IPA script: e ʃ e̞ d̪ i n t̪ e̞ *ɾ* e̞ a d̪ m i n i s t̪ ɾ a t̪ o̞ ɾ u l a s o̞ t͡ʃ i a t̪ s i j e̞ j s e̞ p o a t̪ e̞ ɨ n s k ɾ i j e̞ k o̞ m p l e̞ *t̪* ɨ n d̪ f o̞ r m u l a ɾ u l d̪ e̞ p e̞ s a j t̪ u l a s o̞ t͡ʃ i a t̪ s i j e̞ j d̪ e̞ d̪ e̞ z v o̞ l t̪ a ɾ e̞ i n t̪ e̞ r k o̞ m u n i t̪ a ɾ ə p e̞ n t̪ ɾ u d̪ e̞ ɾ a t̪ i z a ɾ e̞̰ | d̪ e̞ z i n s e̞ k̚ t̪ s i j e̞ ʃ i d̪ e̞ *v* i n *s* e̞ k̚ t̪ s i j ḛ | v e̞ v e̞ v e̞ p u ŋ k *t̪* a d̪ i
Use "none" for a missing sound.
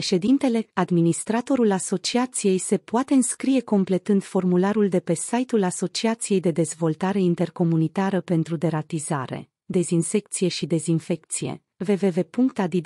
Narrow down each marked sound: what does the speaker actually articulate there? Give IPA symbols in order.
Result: l, t̪, z, f, t̪

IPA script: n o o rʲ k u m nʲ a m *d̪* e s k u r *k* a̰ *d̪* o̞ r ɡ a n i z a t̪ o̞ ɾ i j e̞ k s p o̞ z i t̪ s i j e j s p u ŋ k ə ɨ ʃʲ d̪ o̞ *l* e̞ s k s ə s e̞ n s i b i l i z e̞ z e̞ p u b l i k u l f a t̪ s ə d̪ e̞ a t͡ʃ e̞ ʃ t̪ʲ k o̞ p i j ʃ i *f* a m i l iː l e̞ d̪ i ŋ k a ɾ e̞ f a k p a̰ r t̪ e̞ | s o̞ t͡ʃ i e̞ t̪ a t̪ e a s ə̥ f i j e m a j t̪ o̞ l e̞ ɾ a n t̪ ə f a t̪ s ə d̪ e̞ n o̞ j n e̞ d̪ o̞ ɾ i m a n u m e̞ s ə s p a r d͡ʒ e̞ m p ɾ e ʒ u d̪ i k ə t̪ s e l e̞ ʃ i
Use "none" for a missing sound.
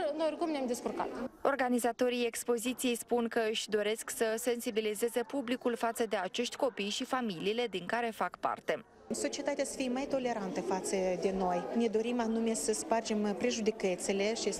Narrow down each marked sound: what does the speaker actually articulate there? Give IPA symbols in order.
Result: d̪, k, t̪, ɾ, f

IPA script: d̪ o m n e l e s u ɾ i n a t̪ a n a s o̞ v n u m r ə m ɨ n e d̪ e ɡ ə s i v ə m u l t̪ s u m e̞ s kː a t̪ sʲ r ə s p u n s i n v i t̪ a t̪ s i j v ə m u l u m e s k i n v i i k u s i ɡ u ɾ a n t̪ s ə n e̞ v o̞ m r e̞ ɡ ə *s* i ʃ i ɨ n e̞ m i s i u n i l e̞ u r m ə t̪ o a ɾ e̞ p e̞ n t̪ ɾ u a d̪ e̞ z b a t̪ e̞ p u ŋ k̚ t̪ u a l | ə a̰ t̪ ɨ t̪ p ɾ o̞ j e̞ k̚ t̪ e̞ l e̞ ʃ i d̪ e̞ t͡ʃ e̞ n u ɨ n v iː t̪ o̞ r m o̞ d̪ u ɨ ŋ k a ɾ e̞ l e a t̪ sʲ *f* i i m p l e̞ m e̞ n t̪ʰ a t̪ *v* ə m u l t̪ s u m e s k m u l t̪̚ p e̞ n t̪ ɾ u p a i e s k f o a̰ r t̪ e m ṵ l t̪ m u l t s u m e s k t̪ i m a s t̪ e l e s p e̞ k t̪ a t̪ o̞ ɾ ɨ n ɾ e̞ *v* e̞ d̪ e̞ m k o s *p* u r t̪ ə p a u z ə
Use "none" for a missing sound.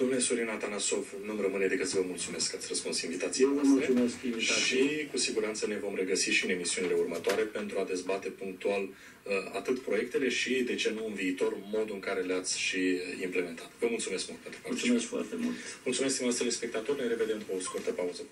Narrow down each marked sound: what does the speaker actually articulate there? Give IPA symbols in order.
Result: s, ʃ, v, v, k

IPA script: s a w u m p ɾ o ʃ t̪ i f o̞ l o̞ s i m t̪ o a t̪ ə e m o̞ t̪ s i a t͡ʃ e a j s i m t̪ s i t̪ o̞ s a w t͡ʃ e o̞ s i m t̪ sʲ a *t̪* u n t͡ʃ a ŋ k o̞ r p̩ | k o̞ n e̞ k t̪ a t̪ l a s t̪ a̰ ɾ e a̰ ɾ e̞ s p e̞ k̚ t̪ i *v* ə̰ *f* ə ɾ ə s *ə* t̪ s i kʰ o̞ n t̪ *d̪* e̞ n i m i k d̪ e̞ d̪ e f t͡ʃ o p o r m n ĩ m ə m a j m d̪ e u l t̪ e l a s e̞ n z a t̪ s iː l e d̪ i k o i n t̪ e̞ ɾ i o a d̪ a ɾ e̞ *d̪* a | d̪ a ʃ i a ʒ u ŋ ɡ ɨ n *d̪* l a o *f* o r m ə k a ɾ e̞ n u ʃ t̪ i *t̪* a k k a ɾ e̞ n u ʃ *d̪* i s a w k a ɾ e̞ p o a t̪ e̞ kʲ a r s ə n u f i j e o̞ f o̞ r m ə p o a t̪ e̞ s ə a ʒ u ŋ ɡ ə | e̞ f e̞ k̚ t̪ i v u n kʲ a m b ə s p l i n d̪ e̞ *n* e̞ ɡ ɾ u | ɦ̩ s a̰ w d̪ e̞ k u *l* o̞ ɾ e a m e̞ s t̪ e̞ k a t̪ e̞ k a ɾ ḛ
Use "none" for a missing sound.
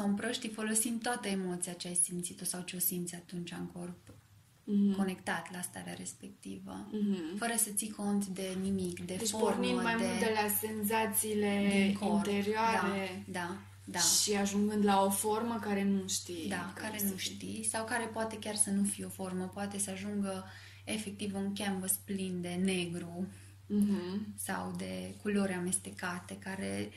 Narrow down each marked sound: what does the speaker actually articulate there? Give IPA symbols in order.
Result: t̪, v, f, ə, d̪, d̪, d̪, f, d̪, t̪, n, l

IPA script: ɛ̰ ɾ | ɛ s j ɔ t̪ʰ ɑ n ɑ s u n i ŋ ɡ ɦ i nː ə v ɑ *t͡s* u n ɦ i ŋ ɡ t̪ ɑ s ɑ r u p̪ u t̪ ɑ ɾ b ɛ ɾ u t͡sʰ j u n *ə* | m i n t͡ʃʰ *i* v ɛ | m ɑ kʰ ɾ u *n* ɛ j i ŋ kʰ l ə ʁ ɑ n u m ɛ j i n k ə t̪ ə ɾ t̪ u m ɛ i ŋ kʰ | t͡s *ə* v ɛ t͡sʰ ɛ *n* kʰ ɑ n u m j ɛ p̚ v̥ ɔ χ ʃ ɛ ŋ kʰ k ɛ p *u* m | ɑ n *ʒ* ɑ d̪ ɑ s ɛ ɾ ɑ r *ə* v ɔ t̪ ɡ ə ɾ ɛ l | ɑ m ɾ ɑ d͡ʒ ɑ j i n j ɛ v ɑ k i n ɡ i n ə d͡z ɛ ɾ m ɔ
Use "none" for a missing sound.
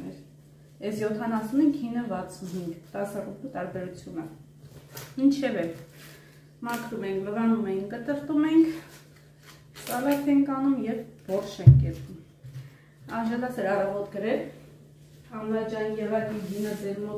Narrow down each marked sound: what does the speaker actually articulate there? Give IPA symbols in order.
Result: t͡sʰ, ə, ɛ, m, ɑ, ŋ, u, ʒ, ɑ

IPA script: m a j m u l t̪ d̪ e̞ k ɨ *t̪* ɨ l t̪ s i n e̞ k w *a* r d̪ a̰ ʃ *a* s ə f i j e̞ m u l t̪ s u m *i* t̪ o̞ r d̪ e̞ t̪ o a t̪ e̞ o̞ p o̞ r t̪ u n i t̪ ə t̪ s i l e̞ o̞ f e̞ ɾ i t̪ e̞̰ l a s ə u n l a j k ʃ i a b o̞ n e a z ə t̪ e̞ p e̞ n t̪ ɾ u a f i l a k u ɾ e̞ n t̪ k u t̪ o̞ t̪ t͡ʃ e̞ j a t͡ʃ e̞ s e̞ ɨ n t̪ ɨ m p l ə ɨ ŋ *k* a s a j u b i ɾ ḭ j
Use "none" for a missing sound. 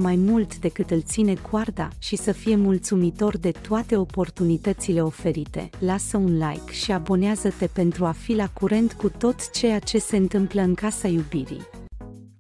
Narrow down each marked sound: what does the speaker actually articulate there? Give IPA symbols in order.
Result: t̪, a, i, i, k

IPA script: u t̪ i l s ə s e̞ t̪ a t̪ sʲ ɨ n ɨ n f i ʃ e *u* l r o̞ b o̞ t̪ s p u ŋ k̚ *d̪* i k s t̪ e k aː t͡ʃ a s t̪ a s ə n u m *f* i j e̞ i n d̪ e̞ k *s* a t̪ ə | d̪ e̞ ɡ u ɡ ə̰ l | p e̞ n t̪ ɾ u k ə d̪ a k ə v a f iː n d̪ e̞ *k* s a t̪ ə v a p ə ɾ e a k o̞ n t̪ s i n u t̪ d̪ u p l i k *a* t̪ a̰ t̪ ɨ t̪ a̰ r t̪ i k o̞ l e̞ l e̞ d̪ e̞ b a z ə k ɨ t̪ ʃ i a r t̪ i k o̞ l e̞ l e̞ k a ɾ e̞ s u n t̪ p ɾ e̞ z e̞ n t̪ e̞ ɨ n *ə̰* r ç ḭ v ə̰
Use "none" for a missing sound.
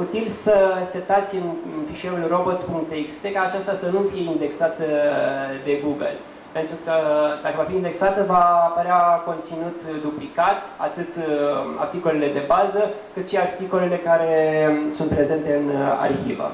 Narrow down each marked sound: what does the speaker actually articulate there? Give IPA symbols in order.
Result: u, t̪, f, s, k, a, a̰

